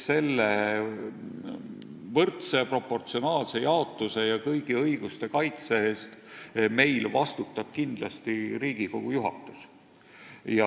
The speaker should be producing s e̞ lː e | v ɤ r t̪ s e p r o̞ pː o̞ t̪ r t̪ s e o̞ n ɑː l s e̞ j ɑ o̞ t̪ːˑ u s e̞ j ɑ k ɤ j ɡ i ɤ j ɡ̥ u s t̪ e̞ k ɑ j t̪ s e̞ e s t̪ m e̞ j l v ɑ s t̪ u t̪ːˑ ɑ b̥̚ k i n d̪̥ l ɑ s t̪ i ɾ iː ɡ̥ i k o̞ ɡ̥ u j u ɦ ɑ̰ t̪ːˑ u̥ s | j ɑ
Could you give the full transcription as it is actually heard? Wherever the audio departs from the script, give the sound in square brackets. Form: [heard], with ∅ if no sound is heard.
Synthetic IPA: s e̞ lː e | v ɤ r t̪ s e p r o̞ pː o̞ [∅] r t̪ s [i] o̞ n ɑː l s e̞ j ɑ o̞ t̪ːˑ u s e̞ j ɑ k ɤ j ɡ i ɤ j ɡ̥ u s t̪ e̞ k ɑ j t̪ s e̞ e s t̪ m e̞ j l v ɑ s t̪ u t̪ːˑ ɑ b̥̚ k i n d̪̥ l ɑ s t̪ i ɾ iː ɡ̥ i k o̞ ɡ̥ u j u ɦ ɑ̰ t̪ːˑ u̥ s | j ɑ